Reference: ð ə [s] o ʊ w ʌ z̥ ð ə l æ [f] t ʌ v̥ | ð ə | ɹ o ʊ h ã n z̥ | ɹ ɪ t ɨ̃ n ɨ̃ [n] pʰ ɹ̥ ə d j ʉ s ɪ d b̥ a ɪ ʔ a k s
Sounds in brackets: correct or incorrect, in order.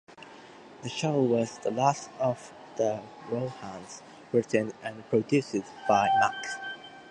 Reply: incorrect: ʃ, incorrect: s, correct

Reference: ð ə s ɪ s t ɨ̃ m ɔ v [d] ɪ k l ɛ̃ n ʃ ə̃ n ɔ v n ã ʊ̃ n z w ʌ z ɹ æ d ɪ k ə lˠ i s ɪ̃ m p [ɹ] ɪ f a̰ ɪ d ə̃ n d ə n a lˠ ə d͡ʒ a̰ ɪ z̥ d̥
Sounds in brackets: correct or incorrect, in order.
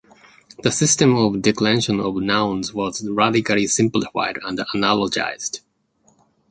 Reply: correct, incorrect: l

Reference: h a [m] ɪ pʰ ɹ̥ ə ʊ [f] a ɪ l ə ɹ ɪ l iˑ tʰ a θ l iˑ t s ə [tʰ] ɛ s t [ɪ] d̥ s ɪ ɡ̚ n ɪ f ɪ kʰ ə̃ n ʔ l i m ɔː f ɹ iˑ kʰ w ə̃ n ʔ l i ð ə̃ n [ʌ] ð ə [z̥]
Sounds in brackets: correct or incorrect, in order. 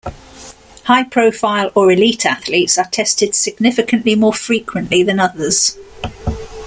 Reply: incorrect: none, correct, correct, correct, correct, correct

